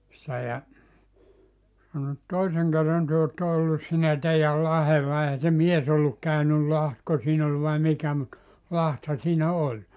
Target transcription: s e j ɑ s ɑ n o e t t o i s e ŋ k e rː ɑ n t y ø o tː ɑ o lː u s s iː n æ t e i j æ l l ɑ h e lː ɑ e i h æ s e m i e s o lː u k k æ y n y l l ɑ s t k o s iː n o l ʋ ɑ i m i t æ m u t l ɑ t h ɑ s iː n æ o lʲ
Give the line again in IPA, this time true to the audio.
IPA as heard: s e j ɑ s ɑ n o e t t o i s e ŋ k e rː ɑ n t y ø o tː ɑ o lː u s s iː n æ t e i j æ l l ɑ h e lː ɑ e i h æ s e m i e s o lː u k k æ y n y l l ɑ h t k o s iː n o l ʋ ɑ i m i k æ m u t l ɑ t h ɑ s iː n æ o lʲ

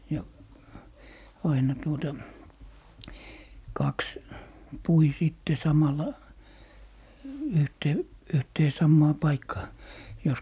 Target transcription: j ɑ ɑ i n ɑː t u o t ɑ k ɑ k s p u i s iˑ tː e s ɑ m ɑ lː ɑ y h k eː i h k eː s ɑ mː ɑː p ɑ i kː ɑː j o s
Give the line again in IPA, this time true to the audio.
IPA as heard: j ɑ ɑ i n ɑ t u o t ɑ k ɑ k s p u i s iˑ tː e s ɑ m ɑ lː ɑ y h t eː y h t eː s ɑ mː ɑː p ɑ i kː ɑː j o s

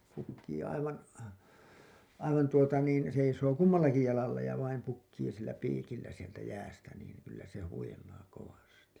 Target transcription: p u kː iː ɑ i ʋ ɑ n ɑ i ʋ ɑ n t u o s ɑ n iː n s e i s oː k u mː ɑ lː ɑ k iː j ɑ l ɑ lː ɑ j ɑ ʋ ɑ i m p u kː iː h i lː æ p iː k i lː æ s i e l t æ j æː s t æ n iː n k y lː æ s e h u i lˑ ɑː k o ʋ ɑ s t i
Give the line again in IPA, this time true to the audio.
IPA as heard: p u kː iː ɑ i ʋ ɑ n ɑ i ʋ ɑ n t u o t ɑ n iː n s e i s oː k u mː ɑ lː ɑ k i j ɑ l ɑ lː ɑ j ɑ ʋ ɑ i m p u kː iː s i lː æ p iː k i lː æ s i e l t æ j æː s t æ n iː n k y lː æ s e h u i lˑ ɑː k o ʋ ɑ s t i

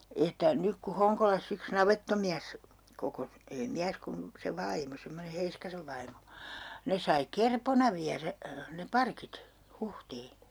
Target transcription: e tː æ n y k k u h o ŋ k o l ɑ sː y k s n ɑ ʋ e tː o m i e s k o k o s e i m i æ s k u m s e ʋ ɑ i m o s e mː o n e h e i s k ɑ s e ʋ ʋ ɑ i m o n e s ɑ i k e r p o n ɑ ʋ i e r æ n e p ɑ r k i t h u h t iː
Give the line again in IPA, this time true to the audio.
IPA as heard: e tː æ n y k k u h o ŋ k o l ɑ sː y k s n ɑ ʋ e tː o m i æ s k o k o s e i m i æ s k u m s e ʋ ɑ i m o s e mː o n e h e i s k ɑ s e ʋ ʋ ɑ i m o n e s ɑ i k e r p o n ɑ ʋ i æ r æ n e p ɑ r k i t h u h t iː

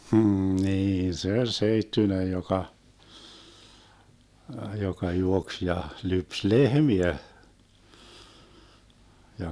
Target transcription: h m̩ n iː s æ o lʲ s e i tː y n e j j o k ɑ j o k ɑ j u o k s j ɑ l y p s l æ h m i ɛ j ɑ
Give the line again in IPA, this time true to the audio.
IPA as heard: h m̩ n iː s e o lʲ s e i tː y n e j j o k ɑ j o k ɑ j u o k s j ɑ l y p s l e h m i æ j ɑ

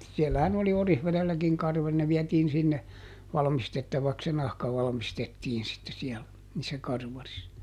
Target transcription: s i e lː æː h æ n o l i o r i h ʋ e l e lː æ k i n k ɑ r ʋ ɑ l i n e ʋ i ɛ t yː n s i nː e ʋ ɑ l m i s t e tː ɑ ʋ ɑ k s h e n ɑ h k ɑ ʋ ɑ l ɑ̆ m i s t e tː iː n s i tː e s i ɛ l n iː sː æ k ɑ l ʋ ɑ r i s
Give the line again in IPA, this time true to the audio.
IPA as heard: s i e lː æ h æ n o l i o r i h ʋ e l e lː æ k i ŋ k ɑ r ʋ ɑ l i n e ʋ i ɛ t iː n s i nː e ʋ ɑ l m i s t e tː ɑ ʋ ɑ k s s e n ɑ h k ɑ ʋ ɑ l ɑ̆ m i s t e tː iː n s i tː e s i ɛ l n iː sː æ k ɑ r ʋ ɑ r i s

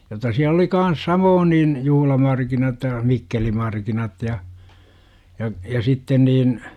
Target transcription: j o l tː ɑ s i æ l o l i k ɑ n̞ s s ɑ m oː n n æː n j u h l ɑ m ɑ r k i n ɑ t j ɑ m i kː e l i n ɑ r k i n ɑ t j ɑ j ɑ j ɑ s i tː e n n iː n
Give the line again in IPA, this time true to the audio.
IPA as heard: j o tː ɑ s i æ l o l i k ɑ n̞ s s ɑ m oː n n iː n j u h l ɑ m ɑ r k i n ɑ t j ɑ m i kː e l i m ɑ r k i n ɑ t j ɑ j ɑ j ɑ s i tː e n n iː n

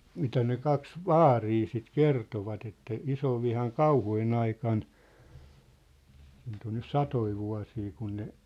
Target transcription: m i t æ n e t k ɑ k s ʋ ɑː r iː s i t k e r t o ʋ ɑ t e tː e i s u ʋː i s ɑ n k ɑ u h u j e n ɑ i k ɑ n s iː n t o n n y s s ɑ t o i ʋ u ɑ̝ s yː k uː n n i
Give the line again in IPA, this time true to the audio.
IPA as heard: m i t æ n e k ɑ k s ʋ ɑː r iː s i t k e r t o ʋ ɑ t e tː æ i s o ʋː i h ɑ n k ɑ u h u j e n ɑ i k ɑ n s iː n t o n n y s s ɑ t o i ʋ u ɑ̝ s iː k u n n e

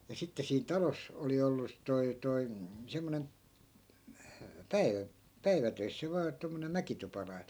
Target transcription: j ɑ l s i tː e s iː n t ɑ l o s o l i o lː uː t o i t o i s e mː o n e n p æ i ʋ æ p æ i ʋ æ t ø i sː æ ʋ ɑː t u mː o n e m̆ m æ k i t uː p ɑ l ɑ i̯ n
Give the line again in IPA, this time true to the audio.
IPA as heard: j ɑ s i tː e s iː n t ɑ l o s o l i o lː u t o i t o i s e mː o n e n p æ i ʋ æ p æ i ʋ æ t ø i sː æ ʋ ɑː t o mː o n e m̆ m æ k i t u p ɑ l ɑ i̯ n

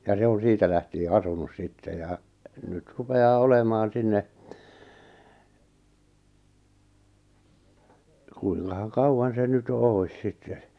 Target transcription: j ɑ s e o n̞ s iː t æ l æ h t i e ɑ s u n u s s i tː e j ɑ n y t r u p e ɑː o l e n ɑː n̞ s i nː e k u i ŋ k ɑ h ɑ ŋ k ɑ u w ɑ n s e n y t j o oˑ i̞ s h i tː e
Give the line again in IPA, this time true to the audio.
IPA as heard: j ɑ s e o n̞ s iː t æ l æ h t i e ɑ s u n u s s i tː e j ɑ n y t r u p e ɑː o l e m ɑː n̞ s i nː e k u i ŋ k ɑ h ɑ ŋ k ɑ u w ɑ n s e n y t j o oˑ i̞ s s i tː e

